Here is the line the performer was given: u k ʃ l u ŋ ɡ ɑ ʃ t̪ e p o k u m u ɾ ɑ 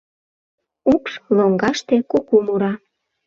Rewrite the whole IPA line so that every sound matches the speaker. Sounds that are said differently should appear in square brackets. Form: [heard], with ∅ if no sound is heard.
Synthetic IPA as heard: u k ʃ l [o] ŋ ɡ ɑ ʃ t̪ e [k] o k u m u ɾ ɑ